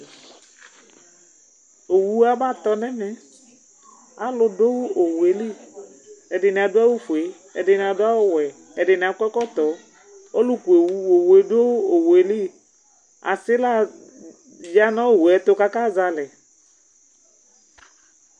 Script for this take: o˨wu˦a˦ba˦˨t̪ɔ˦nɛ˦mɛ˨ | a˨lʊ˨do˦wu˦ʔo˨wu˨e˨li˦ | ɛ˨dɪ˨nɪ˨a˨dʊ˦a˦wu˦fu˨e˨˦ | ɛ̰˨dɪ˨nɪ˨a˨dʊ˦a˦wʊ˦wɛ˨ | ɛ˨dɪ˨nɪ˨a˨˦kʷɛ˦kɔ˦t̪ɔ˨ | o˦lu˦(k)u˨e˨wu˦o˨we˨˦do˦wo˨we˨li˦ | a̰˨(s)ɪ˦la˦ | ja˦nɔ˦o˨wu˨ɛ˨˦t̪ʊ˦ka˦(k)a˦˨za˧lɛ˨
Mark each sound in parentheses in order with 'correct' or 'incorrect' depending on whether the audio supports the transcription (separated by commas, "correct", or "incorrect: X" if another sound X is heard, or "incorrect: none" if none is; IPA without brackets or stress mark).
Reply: correct, correct, correct